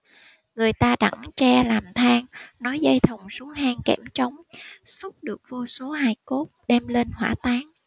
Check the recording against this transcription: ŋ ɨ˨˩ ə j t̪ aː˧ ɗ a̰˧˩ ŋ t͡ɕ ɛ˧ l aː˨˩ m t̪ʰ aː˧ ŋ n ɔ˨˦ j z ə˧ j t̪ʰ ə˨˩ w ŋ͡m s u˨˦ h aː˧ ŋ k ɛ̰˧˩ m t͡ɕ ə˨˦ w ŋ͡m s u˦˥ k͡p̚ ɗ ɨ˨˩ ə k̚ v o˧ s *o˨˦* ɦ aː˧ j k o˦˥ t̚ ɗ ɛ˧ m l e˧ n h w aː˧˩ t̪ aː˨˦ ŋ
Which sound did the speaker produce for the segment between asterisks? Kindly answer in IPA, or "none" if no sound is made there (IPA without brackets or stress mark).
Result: o˨˦